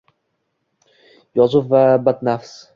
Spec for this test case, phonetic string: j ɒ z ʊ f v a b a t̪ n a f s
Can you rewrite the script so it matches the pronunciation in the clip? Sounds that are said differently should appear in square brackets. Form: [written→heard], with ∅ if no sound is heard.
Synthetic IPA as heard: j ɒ z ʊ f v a b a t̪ n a f s